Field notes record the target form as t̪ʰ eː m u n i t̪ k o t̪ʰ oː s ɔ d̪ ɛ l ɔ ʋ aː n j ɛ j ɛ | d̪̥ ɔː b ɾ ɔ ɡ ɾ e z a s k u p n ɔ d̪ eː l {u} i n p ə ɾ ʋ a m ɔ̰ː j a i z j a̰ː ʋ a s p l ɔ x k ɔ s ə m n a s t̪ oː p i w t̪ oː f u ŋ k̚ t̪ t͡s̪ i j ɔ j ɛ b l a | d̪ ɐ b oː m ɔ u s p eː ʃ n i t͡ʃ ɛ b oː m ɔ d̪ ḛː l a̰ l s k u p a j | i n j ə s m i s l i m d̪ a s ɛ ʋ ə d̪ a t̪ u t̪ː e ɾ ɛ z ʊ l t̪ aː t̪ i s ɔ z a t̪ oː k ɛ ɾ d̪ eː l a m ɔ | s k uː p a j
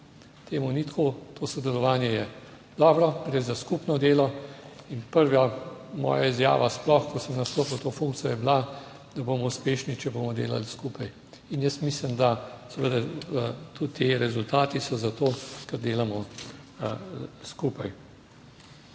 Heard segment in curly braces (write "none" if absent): ɔ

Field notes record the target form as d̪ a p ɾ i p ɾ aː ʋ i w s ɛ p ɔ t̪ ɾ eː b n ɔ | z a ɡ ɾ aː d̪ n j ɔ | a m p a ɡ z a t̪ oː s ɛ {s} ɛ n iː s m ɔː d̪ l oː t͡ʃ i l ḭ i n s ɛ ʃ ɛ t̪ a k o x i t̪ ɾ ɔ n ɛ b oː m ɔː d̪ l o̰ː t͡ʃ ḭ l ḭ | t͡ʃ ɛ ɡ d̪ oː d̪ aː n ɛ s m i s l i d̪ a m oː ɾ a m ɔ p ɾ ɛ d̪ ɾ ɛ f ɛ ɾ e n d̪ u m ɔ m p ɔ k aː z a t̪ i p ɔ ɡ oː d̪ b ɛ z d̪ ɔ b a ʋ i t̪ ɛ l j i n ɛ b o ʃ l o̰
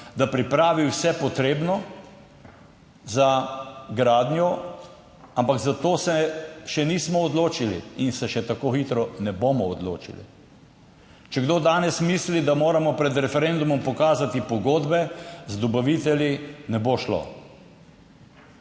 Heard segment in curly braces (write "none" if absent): ʃ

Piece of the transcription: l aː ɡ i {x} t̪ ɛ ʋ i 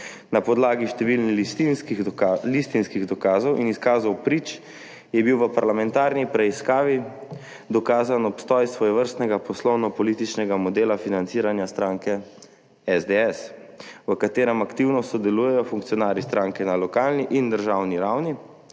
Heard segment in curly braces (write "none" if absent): ʃ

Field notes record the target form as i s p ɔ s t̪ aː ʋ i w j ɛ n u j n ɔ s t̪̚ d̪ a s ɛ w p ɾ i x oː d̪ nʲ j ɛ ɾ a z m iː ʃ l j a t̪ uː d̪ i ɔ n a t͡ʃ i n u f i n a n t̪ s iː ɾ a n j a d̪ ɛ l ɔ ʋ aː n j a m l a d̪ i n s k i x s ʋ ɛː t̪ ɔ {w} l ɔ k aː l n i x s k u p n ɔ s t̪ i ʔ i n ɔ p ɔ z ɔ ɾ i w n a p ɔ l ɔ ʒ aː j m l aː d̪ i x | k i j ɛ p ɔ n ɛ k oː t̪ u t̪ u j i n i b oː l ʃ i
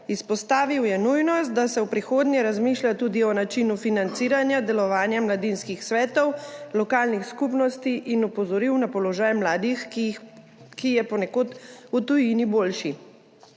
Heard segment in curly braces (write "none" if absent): w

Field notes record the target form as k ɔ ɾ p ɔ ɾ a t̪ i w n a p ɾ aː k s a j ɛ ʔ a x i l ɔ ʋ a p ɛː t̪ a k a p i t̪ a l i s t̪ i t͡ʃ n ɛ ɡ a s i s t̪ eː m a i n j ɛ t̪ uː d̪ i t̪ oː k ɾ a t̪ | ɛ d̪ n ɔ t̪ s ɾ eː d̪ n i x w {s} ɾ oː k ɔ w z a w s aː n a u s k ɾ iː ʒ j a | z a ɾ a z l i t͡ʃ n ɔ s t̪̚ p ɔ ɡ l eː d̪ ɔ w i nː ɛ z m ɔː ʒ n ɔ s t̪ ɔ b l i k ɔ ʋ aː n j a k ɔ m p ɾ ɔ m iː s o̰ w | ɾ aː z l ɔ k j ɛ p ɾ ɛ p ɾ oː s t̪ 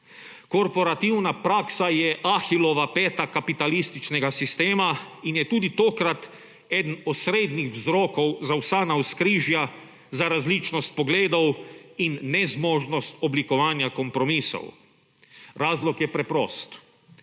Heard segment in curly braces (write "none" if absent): z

